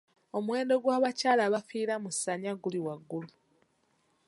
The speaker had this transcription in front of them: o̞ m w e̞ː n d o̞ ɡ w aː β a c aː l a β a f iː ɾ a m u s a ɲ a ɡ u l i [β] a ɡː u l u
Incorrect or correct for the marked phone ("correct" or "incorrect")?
incorrect